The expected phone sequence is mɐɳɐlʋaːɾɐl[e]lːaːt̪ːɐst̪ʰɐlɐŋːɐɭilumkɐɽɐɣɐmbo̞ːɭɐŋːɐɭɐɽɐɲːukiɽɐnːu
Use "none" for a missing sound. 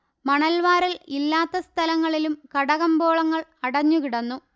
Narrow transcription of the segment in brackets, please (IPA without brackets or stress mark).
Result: i